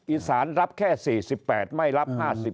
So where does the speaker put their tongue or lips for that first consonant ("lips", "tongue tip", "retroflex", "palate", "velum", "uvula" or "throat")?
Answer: throat